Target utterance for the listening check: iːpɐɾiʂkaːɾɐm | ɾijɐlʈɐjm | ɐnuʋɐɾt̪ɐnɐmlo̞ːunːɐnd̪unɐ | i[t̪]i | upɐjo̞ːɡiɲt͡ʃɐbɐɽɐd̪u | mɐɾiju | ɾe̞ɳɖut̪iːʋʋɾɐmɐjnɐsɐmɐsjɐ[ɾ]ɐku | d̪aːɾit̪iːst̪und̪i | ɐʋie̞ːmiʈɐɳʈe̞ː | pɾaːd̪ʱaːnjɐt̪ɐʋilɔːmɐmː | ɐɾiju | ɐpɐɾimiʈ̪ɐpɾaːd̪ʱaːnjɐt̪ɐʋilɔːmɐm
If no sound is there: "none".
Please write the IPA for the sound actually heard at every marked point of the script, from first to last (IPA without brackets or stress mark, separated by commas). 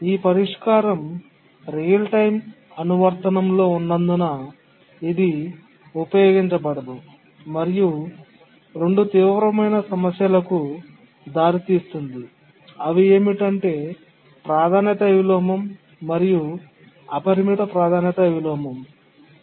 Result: d̪, l